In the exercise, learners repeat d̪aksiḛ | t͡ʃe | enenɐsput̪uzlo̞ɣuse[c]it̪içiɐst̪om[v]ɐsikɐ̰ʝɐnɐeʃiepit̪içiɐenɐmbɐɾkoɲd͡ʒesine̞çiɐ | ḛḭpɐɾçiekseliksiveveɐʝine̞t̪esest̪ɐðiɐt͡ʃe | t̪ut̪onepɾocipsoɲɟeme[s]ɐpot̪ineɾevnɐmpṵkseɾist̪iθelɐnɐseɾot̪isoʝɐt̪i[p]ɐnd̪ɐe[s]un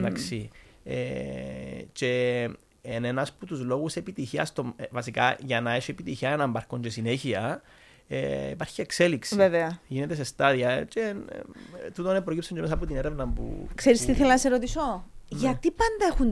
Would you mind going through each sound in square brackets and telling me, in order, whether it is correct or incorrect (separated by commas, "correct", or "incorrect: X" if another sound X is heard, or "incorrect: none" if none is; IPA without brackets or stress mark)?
incorrect: p, correct, correct, correct, incorrect: x